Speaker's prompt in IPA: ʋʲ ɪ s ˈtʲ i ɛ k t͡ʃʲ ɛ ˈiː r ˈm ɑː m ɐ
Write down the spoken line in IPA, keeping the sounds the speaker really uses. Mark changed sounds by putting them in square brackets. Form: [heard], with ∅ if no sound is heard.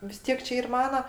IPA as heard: ʋʲ ɪ s ˈtʲ i ɛ k t͡ʃʲ ɛ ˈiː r ˈm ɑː [n] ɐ